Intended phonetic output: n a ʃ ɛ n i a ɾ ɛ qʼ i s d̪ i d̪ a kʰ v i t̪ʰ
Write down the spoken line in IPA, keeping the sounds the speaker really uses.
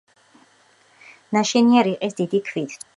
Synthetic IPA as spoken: n a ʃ ɛ n i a ɾ i qʼ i s d̪ i d̪ i kʰ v i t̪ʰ